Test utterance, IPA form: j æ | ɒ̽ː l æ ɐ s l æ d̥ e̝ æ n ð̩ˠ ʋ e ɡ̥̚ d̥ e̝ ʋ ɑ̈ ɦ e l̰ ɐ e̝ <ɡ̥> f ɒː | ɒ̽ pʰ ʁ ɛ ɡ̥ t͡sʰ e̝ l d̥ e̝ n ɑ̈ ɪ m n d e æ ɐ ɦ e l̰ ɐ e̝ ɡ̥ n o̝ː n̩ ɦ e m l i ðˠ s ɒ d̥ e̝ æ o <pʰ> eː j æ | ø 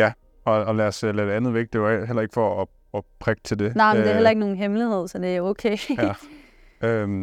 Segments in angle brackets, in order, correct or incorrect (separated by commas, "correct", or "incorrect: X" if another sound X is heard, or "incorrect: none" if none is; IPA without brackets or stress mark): correct, incorrect: kʰ